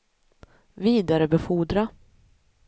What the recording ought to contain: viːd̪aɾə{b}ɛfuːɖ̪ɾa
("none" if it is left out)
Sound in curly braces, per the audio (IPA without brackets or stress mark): b